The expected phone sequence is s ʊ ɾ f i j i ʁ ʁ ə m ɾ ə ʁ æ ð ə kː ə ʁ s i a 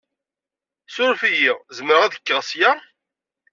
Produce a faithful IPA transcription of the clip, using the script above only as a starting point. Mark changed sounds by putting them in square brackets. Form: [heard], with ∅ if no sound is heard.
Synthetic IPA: s ʊ ɾ f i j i ʁ [z] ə m ɾ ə ʁ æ ð ə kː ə ʁ s [j] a

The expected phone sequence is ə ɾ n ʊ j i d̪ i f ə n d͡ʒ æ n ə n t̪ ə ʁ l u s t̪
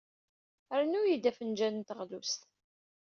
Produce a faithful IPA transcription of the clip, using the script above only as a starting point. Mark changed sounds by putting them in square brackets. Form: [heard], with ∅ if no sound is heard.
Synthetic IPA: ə ɾ n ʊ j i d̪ [æ] f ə n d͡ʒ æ n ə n t̪ ə ʁ l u s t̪

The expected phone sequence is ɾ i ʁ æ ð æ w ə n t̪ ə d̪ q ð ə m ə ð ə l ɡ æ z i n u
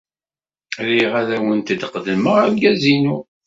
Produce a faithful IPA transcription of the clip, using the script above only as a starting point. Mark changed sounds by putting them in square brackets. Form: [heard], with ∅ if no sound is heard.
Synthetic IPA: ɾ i ʁ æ ð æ w ə n t̪ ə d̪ q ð ə m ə [ʁ] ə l ɡ æ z i n u

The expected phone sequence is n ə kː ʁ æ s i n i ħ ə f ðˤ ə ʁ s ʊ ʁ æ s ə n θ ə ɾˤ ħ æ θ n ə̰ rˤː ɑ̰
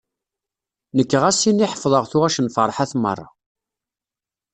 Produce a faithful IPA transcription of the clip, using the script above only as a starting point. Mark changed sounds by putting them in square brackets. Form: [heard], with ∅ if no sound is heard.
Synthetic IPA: n ə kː ʁ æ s i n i ħ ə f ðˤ ə ʁ [θ] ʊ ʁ æ [ʃ] ə n [f] ə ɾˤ ħ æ θ [m] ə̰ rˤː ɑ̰

